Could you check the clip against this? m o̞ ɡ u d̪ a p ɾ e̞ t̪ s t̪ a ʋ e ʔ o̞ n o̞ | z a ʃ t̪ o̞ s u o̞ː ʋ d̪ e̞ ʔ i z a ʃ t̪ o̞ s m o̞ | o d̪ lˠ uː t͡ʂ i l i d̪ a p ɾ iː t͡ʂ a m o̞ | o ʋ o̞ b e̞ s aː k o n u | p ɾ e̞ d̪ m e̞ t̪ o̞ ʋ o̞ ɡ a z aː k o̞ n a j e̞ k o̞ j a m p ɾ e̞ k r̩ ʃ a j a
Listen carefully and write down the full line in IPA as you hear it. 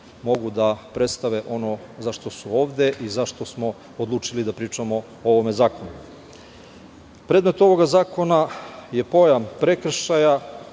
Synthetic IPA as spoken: m o̞ ɡ u d̪ a p ɾ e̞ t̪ s t̪ a ʋ e ʔ o̞ n o̞ | z a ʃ t̪ o̞ s u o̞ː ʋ d̪ e̞ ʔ i z a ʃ t̪ o̞ s m o̞ | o d̪ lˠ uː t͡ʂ i l i d̪ a p ɾ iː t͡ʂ a m o̞ | o ʋ o̞ m e̞ z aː k o n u | p ɾ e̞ d̪ m e̞ t̪ o̞ ʋ o̞ ɡ a z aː k o̞ n a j e̞ p o̞ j a m p ɾ e̞ k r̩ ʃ a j a